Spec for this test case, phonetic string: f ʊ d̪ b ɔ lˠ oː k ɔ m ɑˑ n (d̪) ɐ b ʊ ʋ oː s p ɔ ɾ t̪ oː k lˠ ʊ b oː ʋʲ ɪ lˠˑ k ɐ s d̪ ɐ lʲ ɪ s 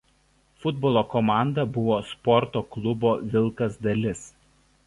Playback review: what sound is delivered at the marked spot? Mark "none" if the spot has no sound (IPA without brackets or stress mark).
d̪